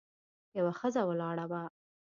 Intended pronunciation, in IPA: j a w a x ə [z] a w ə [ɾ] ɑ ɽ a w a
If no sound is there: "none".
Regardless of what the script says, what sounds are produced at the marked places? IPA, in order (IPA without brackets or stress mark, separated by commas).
z, l